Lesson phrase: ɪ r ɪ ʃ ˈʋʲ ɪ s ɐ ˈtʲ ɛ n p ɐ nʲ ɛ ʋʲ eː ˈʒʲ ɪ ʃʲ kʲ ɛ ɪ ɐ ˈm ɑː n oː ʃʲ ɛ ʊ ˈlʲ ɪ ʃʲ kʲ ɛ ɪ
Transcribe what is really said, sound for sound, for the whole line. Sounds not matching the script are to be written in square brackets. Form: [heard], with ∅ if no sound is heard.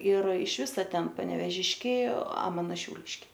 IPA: ɪ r ɪ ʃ ˈʋʲ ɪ s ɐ ˈtʲ ɛ n p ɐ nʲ ɛ ʋʲ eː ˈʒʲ ɪ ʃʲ kʲ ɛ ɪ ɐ ˈm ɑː n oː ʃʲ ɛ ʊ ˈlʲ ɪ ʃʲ kʲ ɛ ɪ